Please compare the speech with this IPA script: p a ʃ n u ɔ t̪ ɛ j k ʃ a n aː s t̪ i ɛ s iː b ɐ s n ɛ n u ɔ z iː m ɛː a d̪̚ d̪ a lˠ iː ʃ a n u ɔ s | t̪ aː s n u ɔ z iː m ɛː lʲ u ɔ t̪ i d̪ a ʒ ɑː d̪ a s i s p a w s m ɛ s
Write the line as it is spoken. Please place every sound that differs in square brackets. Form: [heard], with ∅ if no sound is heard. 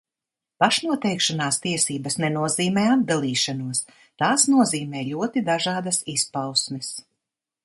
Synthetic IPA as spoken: p a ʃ n u ɔ t̪ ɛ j k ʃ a n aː s t̪ i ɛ s iː b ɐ s n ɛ n u ɔ z iː m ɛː a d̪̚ d̪ a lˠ iː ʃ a n u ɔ s | t̪ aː s n u ɔ z iː m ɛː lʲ u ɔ t̪ i d̪ a ʒ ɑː d̪ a s i s p a w s m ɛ s